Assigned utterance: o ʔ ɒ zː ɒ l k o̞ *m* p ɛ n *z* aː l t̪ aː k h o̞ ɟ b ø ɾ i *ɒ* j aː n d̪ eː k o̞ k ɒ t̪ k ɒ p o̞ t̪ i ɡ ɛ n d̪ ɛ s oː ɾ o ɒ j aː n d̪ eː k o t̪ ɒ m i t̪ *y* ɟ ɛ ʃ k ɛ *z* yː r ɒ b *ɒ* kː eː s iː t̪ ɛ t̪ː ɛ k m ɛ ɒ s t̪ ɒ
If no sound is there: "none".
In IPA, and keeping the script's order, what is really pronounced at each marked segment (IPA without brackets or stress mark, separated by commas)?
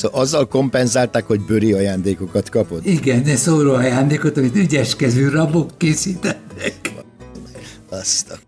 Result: m, z, ɒ, y, z, o